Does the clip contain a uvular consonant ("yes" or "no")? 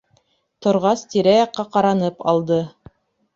yes